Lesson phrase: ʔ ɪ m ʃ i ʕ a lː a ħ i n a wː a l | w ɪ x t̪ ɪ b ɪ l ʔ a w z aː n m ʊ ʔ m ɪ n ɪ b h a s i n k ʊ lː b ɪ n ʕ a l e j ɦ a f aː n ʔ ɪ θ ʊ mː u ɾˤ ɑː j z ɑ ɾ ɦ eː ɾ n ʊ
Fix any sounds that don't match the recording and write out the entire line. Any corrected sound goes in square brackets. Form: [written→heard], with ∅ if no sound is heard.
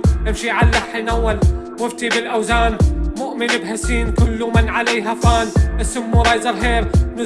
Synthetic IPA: ʔ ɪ m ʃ i ʕ a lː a ħ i n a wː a l | w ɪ [x→f] t̪ [ɪ→i] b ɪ l ʔ a w z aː n m ʊ ʔ m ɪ n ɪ b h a s [i→iː] n k ʊ lː [b→m] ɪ n ʕ a l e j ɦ a f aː n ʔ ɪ [θ→s] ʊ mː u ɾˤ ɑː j z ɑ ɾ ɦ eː ɾ n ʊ